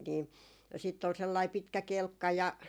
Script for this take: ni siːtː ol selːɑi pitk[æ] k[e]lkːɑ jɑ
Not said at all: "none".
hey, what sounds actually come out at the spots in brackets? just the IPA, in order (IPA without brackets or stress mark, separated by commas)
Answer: æ, e